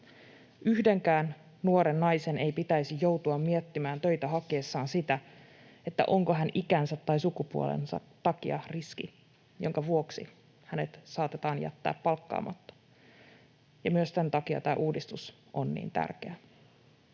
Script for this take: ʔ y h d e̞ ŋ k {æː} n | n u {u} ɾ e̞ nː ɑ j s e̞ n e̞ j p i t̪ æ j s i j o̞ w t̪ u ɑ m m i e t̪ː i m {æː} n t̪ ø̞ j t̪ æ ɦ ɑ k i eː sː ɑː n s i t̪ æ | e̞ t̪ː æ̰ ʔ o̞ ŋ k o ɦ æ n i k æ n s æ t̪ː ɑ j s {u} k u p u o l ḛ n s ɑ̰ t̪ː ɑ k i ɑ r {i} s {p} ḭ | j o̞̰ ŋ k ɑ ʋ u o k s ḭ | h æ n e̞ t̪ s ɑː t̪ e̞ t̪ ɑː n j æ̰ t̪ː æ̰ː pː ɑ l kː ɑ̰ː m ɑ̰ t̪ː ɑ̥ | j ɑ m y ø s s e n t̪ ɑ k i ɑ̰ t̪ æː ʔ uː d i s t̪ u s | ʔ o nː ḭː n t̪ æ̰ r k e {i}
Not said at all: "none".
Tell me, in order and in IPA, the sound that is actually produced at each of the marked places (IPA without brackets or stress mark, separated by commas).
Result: æː, o, æː, u, i, k, æ